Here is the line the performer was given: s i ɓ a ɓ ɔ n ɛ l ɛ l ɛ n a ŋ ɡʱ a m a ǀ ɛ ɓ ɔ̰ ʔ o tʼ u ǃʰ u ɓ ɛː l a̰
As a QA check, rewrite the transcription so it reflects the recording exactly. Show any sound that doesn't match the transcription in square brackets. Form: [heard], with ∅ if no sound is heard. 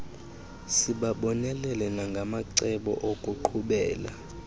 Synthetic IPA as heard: s i ɓ a ɓ ɔ n ɛ l ɛ l ɛ n a ŋ ɡʱ a m a ǀ ɛ ɓ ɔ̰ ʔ o [kʼ] u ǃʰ u ɓ ɛː l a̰